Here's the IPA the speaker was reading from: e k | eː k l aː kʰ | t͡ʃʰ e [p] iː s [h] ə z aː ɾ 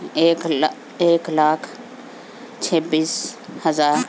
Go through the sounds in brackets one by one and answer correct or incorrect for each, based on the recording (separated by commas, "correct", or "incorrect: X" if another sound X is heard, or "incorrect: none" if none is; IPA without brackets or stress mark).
incorrect: b, correct